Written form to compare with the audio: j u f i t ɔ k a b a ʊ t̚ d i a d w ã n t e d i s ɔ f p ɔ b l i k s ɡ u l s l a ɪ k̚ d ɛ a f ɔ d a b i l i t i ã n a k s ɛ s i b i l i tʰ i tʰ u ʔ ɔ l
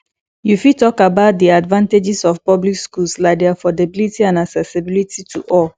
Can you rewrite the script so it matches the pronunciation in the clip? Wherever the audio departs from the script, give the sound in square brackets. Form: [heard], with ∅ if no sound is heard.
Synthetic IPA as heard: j u f i t ɔ k a b a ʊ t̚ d i a d [v] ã n t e [d͡ʒ] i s ɔ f p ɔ b l i k s [k] u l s l a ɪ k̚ d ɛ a f ɔ d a b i l i t i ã n a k s ɛ s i b i l i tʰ i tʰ u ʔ ɔ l